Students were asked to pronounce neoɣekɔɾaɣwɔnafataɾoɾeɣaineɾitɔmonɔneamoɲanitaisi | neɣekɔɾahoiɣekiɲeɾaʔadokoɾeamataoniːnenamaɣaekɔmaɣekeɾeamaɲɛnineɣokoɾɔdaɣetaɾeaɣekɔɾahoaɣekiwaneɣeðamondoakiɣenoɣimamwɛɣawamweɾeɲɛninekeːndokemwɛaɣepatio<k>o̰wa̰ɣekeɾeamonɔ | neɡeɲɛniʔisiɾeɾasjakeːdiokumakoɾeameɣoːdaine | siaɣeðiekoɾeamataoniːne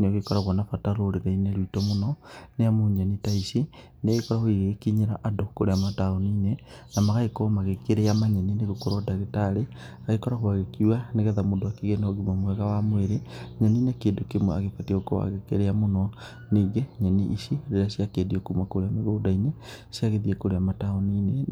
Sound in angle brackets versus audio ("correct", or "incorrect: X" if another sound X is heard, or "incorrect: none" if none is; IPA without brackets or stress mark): correct